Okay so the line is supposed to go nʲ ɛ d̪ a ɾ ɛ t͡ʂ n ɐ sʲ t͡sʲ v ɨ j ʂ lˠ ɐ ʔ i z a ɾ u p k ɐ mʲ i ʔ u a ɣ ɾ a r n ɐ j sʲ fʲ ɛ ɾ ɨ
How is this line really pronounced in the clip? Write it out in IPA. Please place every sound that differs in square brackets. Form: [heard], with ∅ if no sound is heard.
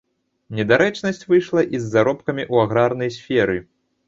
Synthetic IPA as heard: nʲ ɛ d̪ a ɾ ɛ t͡ʂ n ɐ sʲ t͡sʲ v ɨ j ʂ lˠ ɐ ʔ i [zː] a ɾ [ɔ] p k ɐ mʲ i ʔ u a ɣ ɾ a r n ɐ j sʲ fʲ ɛ ɾ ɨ